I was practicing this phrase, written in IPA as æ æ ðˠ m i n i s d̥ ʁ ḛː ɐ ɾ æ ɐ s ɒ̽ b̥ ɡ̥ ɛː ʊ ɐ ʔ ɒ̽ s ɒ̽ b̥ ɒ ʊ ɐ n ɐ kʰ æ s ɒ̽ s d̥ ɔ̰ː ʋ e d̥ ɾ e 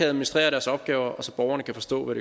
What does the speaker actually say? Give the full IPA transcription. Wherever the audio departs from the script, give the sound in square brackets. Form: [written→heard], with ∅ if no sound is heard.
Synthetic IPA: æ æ ðˠ m i n i s d̥ ʁ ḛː ɐ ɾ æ ɐ s ɒ̽ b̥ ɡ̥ ɛː ʊ ɐ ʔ ɒ̽ s ɒ̽ b̥ ɒ ʊ ɐ n [ɐ→ə] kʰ æ [s→f] ɒ̽ s d̥ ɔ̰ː ʋ [e→æ] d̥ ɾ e